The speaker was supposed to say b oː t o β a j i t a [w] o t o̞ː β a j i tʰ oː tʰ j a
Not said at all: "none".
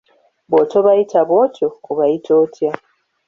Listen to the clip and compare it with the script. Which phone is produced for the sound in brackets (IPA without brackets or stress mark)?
β